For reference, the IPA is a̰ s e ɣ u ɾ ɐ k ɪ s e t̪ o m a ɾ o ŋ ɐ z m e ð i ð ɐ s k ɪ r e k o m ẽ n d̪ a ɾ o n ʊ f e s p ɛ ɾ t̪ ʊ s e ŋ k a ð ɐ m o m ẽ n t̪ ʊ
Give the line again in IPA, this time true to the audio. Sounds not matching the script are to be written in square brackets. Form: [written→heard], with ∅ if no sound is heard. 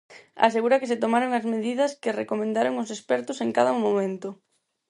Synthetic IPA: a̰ s e ɣ u ɾ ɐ k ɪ s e t̪ o m a ɾ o ŋ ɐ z m e ð i ð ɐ s k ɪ r e k o m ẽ n d̪ a ɾ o [n→ŋ] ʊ [f→s] e s p ɛ ɾ t̪ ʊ s e ŋ k a ð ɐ m o m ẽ n t̪ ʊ